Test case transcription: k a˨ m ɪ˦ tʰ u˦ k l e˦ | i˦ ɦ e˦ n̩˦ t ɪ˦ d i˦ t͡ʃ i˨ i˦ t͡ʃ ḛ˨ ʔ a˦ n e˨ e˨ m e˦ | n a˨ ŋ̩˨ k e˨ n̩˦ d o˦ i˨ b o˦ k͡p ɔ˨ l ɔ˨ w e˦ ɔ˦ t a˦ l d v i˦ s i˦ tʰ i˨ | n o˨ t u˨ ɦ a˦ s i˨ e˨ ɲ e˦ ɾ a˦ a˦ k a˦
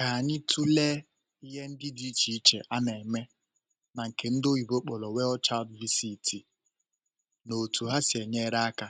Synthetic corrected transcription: k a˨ ɲ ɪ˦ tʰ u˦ l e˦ | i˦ ɦ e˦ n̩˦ d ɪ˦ d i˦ t͡ʃ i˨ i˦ t͡ʃ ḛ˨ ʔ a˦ n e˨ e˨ m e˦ | n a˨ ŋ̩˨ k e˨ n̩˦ d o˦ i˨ b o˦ k͡p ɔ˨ l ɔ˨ w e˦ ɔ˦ t͡ʃ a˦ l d v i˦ s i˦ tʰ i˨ | n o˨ t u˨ ɦ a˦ s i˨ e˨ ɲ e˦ ɾ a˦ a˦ k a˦